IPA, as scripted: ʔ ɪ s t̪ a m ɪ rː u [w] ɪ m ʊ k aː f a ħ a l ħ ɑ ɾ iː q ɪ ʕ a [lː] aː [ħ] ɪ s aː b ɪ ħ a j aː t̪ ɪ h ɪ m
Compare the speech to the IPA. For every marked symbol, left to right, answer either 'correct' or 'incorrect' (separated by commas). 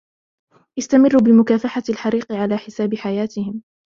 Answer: incorrect, incorrect, correct